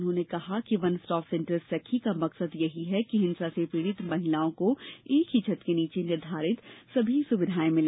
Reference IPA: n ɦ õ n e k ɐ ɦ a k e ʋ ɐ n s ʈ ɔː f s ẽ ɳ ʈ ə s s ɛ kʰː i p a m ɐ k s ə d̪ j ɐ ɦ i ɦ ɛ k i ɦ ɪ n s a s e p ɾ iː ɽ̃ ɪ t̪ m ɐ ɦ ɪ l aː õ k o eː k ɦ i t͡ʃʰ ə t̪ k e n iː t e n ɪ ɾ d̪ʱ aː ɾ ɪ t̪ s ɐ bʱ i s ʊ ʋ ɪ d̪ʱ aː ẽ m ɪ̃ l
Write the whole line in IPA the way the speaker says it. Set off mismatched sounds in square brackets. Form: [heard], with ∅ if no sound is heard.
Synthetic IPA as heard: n ɦ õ n e k ɐ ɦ a k [i] ʋ ɐ n s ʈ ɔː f s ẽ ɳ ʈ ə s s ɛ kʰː i [k] a m ɐ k s ə d̪ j ɐ ɦ i ɦ ɛ k i ɦ ɪ n s a s e p ɾ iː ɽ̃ ɪ t̪ m ɐ ɦ ɪ l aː õ k o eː k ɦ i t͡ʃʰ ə t̪ k e n iː [t͡ʃ] e n ɪ ɾ d̪ʱ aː ɾ ɪ t̪ s ɐ bʱ i s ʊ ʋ ɪ d̪ʱ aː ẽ m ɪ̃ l